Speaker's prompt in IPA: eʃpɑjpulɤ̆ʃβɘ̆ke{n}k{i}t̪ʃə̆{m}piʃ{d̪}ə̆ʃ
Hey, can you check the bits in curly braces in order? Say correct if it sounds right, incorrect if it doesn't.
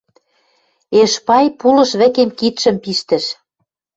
incorrect: m, correct, correct, incorrect: t̪

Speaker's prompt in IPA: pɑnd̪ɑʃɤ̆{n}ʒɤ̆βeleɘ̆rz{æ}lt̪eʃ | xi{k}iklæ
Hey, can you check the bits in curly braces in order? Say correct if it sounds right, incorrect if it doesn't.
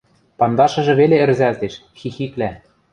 incorrect: none, correct, incorrect: x

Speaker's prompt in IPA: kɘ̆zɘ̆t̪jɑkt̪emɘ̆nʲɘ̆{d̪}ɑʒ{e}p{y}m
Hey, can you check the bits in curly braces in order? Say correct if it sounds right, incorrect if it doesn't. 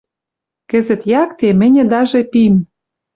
correct, correct, incorrect: i

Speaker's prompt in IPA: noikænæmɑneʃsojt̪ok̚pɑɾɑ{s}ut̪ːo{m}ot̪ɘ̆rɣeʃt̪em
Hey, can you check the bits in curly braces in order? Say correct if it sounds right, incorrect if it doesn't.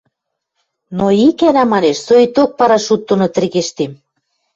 incorrect: ʃ, incorrect: n

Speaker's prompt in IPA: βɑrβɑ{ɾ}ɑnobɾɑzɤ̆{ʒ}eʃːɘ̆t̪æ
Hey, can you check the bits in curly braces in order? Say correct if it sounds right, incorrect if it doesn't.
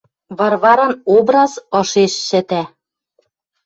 correct, incorrect: ʃ

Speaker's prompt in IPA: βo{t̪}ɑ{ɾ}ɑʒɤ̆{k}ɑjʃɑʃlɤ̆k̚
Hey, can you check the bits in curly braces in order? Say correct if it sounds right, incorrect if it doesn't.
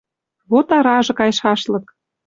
correct, correct, correct

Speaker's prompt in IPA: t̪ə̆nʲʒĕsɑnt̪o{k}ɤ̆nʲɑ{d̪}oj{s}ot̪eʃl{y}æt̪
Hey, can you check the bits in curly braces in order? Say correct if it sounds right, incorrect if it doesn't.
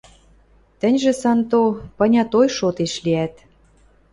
incorrect: p, incorrect: t̪, incorrect: ʃ, incorrect: i

